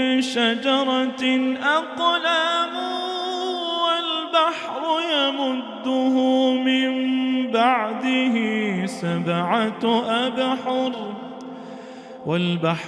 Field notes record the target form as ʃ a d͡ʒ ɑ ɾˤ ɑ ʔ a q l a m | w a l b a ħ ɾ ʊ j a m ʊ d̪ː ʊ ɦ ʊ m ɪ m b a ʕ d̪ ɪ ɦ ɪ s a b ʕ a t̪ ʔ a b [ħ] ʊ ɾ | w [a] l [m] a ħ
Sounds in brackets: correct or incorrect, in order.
correct, correct, incorrect: b

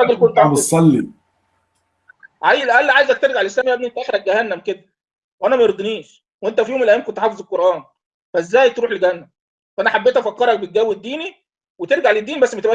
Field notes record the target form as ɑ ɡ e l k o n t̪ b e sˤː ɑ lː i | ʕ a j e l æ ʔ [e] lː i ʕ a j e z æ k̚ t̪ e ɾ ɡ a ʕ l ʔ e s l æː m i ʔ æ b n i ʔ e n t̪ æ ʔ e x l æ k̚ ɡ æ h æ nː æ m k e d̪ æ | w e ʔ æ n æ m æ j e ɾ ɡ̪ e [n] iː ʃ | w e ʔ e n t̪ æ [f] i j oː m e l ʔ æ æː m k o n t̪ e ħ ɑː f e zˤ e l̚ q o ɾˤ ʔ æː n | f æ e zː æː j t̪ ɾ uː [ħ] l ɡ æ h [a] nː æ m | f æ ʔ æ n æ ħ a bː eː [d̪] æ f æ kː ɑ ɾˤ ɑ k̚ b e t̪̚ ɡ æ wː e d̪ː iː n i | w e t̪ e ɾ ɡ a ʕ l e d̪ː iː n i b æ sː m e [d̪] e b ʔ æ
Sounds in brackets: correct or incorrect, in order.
incorrect: æ, correct, correct, correct, incorrect: æ, incorrect: t̪, incorrect: t̪

